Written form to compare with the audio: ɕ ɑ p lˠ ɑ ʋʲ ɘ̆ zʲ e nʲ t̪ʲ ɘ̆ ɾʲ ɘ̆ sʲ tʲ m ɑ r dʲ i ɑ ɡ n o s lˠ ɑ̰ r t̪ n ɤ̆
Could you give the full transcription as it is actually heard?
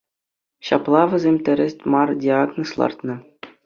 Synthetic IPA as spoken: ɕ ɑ p lˠ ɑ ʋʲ ɘ̆ zʲ e mʲ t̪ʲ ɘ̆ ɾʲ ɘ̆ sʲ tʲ m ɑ r dʲ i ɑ ɡ n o s lˠ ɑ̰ r t̪ n ɤ̆